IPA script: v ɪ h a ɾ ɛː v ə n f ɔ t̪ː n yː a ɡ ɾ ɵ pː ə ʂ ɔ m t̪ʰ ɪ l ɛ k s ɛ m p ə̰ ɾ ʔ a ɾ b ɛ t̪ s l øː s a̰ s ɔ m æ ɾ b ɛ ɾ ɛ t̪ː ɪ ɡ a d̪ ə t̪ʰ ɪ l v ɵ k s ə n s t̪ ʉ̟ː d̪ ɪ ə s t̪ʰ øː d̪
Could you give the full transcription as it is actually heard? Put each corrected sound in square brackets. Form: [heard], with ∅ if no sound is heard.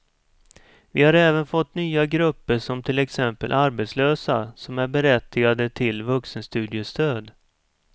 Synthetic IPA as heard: v ɪ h a ɾ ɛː v ə n f ɔ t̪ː n yː a ɡ ɾ ɵ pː ə ʂ ɔ m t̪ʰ ɪ l ɛ k s ɛ m p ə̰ [l] ʔ a ɾ b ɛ t̪ s l øː s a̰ s ɔ m æ ɾ b ɛ ɾ ɛ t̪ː ɪ ɡ a d̪ ə t̪ʰ ɪ l v ɵ k s ə n s t̪ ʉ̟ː d̪ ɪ ə s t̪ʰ øː d̪